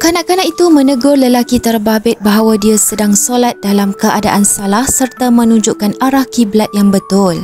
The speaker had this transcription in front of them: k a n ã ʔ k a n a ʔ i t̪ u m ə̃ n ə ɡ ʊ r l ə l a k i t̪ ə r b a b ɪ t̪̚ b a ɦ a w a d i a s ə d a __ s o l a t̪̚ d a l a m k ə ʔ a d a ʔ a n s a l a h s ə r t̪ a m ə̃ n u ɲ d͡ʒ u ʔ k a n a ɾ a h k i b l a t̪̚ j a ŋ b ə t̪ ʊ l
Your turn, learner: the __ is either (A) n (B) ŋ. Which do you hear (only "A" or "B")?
B